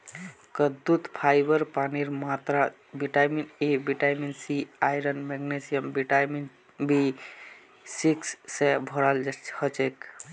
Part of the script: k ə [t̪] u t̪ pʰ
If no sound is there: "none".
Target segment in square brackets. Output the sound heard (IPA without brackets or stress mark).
d̪